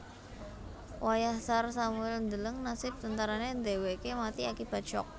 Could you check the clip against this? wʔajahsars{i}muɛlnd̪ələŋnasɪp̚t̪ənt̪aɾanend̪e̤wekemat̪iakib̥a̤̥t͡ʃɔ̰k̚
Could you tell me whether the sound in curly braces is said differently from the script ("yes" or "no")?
yes